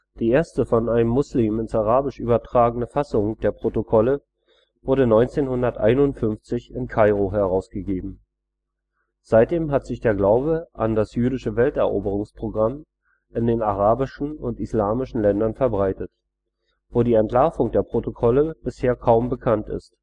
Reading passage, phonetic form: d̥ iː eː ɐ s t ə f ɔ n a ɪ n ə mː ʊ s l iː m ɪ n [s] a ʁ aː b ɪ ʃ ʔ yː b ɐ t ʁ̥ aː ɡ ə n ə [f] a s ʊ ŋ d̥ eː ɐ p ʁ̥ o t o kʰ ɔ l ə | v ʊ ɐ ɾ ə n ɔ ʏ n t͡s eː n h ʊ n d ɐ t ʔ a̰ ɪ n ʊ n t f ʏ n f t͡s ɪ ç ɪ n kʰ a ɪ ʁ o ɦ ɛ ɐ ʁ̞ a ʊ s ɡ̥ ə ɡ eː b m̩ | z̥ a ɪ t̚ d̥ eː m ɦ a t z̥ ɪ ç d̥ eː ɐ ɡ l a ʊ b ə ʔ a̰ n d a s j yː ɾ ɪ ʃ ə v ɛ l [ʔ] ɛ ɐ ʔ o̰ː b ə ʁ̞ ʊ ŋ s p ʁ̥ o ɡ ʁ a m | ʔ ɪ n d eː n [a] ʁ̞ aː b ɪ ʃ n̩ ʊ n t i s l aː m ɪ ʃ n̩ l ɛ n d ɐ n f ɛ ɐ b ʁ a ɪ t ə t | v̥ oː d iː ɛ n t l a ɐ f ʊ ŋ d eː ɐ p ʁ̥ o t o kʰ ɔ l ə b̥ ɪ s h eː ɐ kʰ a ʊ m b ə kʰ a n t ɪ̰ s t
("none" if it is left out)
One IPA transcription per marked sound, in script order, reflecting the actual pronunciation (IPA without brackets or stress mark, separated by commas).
s, f, t, a